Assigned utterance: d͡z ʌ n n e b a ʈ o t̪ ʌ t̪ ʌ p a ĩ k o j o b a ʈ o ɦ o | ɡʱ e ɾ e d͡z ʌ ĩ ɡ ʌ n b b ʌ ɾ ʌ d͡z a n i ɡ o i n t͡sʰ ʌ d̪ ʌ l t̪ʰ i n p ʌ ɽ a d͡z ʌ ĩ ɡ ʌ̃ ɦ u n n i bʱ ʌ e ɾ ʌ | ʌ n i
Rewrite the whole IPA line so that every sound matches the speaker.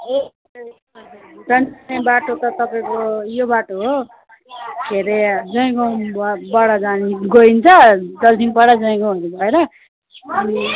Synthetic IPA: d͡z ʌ n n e b a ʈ o t̪ ʌ t̪ ʌ p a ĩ k o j o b a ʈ o ɦ o | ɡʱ e ɾ e d͡z ʌ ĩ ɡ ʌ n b b ʌ ɽ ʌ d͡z a n i ɡ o i n t͡sʰ ʌ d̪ ʌ l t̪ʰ i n p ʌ ɽ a d͡z ʌ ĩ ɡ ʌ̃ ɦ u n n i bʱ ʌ e ɾ ʌ | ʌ n i